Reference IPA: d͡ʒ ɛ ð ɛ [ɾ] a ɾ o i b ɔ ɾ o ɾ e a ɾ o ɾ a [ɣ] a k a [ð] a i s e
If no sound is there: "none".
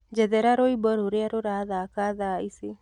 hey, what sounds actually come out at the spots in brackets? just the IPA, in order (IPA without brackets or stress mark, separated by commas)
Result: ɾ, ð, ð